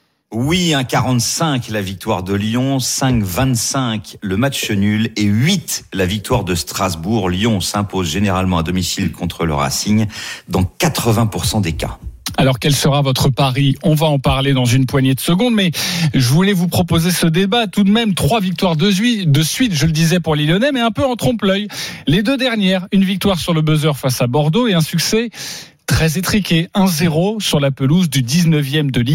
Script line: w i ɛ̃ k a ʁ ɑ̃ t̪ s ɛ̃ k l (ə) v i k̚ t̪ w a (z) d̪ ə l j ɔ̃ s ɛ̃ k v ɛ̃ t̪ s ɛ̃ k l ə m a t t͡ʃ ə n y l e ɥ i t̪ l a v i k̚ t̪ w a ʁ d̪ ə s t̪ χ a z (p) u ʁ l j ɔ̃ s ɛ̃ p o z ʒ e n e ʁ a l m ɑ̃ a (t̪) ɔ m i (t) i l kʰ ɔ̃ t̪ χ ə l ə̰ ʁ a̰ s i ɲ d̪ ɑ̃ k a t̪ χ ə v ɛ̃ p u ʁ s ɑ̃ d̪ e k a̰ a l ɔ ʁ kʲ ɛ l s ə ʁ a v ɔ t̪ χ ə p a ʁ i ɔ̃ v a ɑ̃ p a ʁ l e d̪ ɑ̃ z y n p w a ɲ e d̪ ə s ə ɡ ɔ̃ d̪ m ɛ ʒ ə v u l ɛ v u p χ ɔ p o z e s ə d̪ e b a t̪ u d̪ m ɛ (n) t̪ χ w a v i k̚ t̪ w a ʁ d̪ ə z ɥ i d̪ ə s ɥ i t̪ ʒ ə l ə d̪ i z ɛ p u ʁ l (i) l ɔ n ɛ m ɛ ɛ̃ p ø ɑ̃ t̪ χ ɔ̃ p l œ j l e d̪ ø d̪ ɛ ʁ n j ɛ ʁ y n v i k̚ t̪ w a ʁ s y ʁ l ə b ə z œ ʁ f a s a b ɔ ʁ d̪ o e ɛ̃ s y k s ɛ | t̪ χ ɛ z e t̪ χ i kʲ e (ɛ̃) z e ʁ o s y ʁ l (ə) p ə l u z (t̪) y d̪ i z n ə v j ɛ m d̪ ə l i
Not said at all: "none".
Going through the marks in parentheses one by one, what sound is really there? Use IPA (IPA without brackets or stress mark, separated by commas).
a, ʁ, b, d̪, s, m, i, ɛ̃, a, d̪